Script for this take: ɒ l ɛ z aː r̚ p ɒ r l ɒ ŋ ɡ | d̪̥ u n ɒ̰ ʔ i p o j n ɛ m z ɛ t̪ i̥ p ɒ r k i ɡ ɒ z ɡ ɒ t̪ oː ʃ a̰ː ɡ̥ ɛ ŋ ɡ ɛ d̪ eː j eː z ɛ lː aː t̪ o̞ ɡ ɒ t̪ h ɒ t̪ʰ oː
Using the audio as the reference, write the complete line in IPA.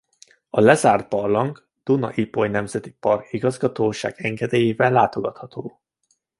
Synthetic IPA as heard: ɒ l ɛ z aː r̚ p ɒ r l ɒ ŋ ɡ | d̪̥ u n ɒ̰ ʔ i p o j n ɛ m z ɛ t̪ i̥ p ɒ r k i ɡ ɒ z ɡ ɒ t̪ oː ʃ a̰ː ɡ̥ ɛ ŋ ɡ ɛ d̪ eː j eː v ɛ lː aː t̪ o̞ ɡ ɒ t̪ h ɒ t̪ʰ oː